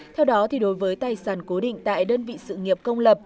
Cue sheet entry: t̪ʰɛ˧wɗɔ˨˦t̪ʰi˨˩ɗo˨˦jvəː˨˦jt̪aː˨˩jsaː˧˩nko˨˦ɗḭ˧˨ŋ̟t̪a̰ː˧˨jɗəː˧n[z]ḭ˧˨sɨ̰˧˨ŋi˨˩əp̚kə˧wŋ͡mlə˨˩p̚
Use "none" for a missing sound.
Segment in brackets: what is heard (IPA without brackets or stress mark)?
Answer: v